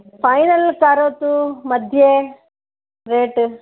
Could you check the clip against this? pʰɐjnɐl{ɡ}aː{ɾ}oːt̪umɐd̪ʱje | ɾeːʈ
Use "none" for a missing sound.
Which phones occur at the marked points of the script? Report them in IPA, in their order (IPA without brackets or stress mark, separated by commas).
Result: k, ɾ